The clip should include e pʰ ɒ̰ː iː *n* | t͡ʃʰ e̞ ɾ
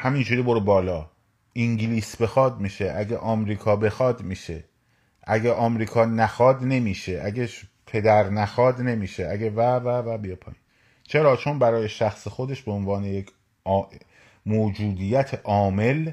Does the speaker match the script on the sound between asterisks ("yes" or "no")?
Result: yes